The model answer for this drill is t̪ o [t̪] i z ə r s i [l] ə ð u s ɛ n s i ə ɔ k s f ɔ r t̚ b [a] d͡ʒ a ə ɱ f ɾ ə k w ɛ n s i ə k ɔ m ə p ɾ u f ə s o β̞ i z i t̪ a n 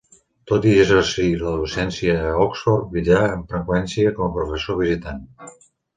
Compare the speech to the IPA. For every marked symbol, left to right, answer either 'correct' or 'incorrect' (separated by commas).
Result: correct, correct, incorrect